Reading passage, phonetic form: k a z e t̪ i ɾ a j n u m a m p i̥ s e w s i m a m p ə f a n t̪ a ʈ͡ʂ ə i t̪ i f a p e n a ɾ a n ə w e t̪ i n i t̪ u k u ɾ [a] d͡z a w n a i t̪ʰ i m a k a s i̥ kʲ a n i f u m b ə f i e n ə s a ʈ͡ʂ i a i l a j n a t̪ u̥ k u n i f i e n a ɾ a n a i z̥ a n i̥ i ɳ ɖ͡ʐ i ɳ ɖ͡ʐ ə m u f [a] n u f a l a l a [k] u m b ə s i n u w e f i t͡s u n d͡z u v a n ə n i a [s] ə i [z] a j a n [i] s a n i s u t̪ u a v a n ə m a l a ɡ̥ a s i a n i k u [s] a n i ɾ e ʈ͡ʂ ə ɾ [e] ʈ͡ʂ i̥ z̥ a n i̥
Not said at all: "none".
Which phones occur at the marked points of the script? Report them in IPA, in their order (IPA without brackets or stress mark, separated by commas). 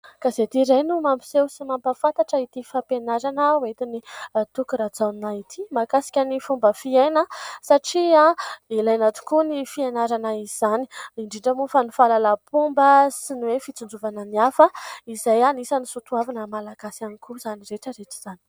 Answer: a, a, p, f, z, i, z, e